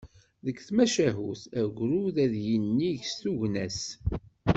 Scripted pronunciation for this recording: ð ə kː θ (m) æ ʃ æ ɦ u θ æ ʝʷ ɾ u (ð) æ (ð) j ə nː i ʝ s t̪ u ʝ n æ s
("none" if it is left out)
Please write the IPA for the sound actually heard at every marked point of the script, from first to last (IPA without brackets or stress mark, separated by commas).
m, ð, ð